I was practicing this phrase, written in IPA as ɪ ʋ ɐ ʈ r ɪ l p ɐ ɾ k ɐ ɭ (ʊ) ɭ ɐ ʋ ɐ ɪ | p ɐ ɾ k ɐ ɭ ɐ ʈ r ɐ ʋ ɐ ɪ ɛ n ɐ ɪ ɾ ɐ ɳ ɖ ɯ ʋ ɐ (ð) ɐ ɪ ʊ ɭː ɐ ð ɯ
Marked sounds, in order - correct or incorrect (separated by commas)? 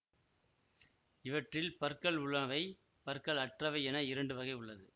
correct, incorrect